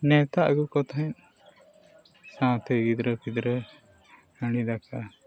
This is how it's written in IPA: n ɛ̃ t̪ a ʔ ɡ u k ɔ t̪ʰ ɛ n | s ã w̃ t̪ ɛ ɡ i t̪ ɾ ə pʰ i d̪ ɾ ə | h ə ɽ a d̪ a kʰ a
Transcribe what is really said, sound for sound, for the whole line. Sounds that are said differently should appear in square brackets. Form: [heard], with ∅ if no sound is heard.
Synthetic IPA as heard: n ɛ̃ t̪ a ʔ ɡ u k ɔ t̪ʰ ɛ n | s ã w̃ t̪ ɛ ɡ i [d̪] ɾ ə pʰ i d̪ ɾ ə | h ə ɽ [i] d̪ a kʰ a